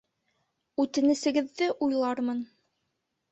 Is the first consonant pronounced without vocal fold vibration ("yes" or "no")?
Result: yes